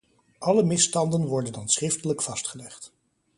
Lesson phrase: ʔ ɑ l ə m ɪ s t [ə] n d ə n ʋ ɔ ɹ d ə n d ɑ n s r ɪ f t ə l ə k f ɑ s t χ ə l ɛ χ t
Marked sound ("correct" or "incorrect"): incorrect